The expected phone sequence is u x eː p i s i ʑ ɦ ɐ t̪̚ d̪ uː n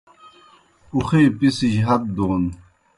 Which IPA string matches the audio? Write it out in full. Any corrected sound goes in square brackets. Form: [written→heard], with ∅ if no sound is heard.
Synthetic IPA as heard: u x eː p i s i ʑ ɦ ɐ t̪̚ d̪ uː n